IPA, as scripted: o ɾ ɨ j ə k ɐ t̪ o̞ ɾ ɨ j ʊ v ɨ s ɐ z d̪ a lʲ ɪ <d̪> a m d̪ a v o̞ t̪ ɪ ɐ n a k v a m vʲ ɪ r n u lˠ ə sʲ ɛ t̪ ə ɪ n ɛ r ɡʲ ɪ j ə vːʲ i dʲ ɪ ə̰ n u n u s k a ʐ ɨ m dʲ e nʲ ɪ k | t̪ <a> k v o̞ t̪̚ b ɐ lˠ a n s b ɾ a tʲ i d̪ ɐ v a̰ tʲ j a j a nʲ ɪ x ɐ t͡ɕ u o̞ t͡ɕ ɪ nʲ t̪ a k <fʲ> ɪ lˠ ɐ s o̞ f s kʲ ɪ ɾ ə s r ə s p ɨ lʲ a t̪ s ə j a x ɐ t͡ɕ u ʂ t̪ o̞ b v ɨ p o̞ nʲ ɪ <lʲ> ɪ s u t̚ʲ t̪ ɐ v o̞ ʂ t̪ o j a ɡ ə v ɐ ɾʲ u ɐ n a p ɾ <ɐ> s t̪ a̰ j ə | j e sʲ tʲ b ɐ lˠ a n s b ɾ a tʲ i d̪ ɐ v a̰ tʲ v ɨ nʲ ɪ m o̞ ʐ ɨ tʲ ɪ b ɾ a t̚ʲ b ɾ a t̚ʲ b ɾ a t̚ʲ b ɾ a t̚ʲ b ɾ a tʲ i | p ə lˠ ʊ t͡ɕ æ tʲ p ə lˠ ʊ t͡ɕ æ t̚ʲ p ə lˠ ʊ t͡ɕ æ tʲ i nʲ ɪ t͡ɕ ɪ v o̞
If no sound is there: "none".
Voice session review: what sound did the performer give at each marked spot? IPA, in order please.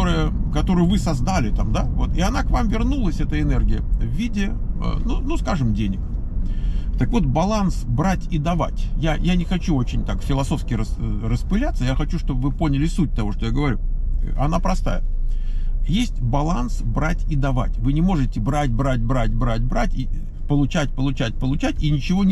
t̪, ə, fʲ, lʲ, ɐ

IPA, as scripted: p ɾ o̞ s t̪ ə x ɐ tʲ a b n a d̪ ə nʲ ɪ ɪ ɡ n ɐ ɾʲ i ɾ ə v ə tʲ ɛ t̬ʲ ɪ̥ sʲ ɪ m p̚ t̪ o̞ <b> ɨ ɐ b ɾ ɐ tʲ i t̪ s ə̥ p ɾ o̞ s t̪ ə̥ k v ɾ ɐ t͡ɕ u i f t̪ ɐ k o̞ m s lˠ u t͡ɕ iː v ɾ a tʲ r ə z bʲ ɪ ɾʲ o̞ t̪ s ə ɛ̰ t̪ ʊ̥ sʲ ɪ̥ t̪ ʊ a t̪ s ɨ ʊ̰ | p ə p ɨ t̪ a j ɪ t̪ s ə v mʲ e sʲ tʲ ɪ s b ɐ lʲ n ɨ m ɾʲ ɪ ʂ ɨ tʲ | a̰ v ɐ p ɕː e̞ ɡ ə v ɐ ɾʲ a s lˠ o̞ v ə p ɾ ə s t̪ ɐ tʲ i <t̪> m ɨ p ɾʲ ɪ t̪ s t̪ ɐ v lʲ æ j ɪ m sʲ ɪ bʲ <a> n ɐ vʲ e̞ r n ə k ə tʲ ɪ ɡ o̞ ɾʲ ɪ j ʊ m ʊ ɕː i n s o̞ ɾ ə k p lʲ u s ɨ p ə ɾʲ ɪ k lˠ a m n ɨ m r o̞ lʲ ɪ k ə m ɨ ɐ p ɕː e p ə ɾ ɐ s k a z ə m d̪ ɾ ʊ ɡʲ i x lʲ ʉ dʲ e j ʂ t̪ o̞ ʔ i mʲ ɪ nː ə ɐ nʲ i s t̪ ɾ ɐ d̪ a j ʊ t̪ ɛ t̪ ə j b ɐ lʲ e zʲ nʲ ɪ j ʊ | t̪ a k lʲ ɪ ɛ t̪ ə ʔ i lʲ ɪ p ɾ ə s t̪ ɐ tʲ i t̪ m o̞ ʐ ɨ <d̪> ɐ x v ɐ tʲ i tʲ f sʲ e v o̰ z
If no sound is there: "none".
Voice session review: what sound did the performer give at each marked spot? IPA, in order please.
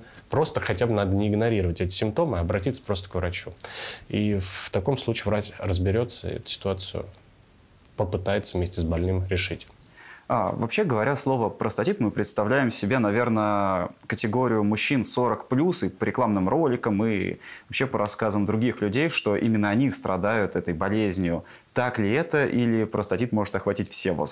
m, t̪, e, t̪

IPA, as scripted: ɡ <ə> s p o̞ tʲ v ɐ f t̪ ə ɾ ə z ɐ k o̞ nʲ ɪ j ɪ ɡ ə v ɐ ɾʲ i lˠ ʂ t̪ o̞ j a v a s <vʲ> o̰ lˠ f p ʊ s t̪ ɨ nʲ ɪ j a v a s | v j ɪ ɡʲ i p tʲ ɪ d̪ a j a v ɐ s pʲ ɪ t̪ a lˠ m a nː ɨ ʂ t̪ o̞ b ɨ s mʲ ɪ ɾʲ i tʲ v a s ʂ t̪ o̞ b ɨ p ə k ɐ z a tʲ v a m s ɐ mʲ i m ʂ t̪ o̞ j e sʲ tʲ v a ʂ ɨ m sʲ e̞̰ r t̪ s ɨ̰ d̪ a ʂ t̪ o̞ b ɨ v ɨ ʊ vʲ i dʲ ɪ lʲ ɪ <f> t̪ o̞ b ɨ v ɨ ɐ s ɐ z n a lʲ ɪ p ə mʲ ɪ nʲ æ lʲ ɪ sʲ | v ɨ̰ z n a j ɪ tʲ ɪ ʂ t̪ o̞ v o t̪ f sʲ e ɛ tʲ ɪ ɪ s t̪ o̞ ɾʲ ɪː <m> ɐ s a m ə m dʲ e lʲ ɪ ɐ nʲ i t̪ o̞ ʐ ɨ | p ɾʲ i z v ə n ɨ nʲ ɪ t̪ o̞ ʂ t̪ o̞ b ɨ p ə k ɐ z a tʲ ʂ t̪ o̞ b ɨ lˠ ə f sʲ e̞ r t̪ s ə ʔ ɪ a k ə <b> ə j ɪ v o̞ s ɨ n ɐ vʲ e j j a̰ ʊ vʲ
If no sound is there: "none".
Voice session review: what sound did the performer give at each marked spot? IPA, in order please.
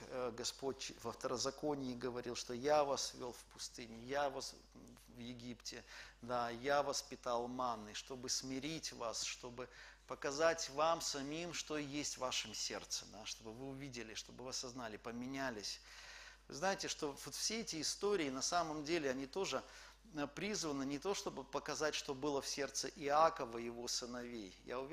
ɐ, vʲ, ʂ, n, v

